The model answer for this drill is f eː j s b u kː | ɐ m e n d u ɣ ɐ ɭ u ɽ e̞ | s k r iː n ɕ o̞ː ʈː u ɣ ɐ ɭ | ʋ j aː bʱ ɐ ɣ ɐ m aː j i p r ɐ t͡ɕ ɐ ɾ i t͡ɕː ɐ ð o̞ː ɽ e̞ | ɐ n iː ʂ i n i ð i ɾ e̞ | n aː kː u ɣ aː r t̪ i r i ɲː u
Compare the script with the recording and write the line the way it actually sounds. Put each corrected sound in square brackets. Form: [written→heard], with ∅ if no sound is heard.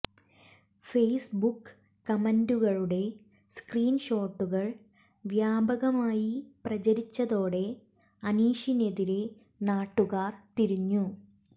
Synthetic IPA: f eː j s b u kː | ɐ m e n d u ɣ ɐ ɭ u ɽ e̞ | s k r iː n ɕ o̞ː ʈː u ɣ ɐ ɭ | ʋ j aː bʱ ɐ ɣ ɐ m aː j i p r ɐ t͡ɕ ɐ ɾ i t͡ɕː ɐ ð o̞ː ɽ e̞ | ɐ n iː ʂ i n [i→e] ð i ɾ e̞ | n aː [kː→ʈː] u ɣ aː r t̪ i [r→ɾ] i ɲː u